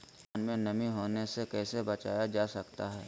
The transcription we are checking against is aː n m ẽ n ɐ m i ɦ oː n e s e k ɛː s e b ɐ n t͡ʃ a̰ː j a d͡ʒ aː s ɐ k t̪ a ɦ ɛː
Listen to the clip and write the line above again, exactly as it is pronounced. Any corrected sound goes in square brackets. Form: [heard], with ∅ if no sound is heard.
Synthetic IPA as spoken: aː n m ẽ n ɐ m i ɦ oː n e s e k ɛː s e b ɐ [∅] t͡ʃ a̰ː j a d͡ʒ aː s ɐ k t̪ a ɦ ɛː